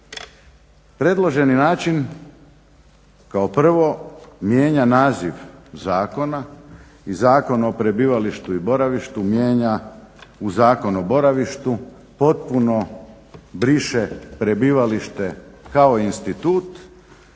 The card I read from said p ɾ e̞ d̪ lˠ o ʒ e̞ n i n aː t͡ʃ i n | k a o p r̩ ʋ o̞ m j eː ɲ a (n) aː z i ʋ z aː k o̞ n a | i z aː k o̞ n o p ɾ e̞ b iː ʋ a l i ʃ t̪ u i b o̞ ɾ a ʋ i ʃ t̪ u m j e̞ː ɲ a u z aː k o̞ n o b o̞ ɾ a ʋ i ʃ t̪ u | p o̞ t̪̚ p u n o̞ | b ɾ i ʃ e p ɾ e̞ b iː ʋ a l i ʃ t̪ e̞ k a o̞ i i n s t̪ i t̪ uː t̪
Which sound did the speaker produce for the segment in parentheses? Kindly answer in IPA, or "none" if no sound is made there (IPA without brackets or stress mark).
n